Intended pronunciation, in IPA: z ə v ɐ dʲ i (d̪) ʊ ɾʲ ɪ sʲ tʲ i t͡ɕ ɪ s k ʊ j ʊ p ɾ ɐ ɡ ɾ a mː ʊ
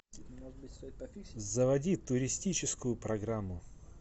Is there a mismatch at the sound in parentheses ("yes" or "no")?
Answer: yes